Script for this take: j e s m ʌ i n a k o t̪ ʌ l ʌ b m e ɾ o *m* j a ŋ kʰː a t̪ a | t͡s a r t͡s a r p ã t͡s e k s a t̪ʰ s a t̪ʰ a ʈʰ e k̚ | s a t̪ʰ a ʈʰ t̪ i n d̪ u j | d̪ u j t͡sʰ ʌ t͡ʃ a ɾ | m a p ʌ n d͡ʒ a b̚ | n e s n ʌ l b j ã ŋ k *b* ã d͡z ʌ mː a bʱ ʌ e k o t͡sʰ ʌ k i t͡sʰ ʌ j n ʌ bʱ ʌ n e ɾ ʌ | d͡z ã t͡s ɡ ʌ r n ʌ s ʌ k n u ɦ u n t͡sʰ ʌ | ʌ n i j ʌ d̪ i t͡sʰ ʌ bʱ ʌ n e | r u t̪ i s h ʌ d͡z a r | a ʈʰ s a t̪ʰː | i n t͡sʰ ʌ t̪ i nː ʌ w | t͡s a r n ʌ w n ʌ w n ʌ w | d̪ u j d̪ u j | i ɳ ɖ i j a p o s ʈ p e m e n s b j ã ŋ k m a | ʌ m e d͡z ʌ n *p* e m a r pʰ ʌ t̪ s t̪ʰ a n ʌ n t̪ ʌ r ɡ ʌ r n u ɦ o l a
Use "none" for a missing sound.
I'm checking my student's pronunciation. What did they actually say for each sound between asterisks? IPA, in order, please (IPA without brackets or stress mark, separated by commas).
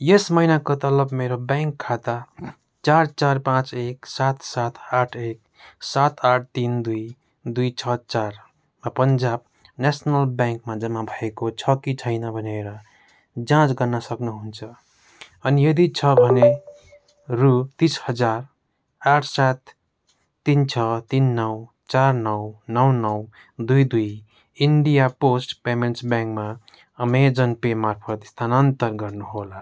b, m, p